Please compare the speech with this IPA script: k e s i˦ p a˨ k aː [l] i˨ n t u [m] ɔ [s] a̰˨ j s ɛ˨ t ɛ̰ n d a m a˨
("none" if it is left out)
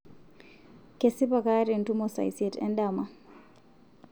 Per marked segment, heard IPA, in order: ɾ, m, s

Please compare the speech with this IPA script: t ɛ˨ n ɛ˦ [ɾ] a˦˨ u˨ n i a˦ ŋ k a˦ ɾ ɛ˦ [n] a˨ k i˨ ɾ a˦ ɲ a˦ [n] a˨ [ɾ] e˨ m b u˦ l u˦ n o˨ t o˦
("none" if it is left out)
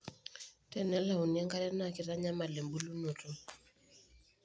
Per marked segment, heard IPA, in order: l, n, m, l

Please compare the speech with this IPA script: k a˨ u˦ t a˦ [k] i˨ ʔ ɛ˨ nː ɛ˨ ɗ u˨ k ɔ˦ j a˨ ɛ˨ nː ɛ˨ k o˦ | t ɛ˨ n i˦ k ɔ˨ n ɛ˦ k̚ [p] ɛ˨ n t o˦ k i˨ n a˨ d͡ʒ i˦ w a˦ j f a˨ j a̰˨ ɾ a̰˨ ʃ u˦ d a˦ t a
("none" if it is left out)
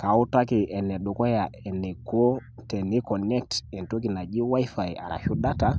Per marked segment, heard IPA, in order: k, t

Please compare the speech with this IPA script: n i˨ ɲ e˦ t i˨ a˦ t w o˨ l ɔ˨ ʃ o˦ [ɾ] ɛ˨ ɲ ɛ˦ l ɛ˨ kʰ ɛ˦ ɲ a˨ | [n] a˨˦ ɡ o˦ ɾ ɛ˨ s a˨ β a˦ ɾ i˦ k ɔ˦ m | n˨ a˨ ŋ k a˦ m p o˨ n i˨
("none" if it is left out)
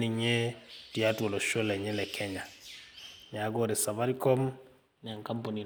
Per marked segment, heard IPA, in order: l, ɲ

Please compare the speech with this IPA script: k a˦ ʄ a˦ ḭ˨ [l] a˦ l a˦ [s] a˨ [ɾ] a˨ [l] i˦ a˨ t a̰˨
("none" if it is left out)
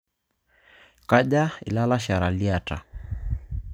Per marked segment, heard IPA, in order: l, ʃ, ɾ, l

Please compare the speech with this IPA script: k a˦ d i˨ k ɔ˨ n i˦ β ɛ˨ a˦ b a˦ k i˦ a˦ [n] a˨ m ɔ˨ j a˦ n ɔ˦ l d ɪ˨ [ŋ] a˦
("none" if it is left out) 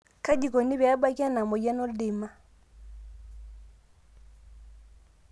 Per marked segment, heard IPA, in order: n, m

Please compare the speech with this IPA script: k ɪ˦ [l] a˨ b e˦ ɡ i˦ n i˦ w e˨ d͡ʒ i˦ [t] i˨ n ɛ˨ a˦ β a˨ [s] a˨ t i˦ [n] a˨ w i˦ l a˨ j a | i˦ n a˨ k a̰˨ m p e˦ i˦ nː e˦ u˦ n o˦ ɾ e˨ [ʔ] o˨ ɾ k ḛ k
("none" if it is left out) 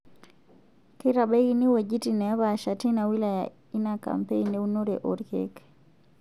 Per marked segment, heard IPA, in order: ɾ, t, ʃ, n, ʔ

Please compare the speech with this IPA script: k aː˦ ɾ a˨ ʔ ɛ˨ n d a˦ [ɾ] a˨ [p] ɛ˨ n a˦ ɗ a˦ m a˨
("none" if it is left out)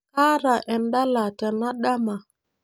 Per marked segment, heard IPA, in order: l, t

